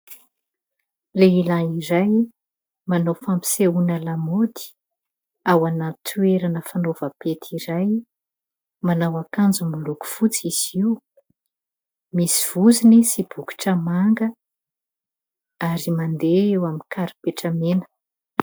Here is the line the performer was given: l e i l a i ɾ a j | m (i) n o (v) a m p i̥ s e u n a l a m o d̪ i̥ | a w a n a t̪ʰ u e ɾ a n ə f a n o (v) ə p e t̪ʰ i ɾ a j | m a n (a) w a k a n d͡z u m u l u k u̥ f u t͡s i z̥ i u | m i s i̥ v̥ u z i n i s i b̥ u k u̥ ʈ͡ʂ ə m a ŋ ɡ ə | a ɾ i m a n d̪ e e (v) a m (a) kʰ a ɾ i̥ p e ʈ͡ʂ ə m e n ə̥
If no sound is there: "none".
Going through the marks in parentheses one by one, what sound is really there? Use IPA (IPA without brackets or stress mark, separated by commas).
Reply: a, f, v, a, w, i